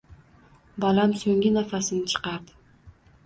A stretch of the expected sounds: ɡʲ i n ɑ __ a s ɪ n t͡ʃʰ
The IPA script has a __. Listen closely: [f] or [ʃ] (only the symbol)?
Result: f